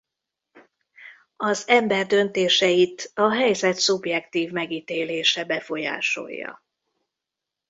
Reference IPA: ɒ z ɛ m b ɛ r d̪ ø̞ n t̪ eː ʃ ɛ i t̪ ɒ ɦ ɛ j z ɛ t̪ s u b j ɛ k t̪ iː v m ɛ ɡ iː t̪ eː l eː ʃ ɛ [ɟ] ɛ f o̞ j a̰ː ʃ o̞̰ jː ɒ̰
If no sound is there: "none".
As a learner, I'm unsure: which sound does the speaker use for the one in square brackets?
b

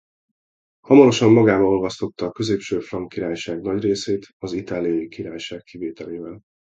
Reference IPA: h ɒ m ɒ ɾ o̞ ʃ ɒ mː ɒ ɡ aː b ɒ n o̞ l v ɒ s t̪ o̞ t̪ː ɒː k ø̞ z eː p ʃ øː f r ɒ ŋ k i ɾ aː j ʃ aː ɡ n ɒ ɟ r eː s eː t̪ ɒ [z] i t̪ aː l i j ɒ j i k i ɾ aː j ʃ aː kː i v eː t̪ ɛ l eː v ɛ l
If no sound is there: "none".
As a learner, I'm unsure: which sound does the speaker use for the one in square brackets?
z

